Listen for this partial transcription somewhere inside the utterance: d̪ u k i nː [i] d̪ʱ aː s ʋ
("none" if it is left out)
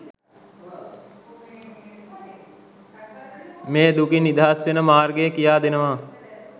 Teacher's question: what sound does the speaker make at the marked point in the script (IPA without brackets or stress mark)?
i